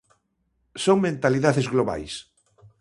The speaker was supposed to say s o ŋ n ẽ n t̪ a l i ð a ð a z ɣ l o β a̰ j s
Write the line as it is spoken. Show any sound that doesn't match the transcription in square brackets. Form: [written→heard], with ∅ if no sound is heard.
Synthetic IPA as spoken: s o ŋ [n→m] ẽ n t̪ a l i ð a ð [a→e] z ɣ l o β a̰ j s